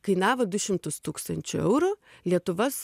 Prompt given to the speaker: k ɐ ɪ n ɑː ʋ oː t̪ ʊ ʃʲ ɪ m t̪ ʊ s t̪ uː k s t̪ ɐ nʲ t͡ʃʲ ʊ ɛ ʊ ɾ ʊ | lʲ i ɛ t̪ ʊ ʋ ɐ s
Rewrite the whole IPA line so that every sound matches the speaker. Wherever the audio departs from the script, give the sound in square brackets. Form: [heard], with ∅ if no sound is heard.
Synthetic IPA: k ɐ ɪ n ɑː ʋ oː [d̪] ʊ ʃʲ ɪ m t̪ ʊ s t̪ uː k s t̪ ɐ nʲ t͡ʃʲ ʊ ɛ ʊ ɾ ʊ | lʲ i ɛ t̪ ʊ ʋ ɐ s